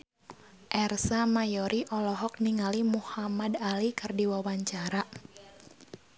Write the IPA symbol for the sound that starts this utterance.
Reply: ʔ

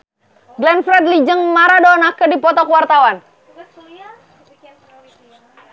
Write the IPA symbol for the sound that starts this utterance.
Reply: ɡ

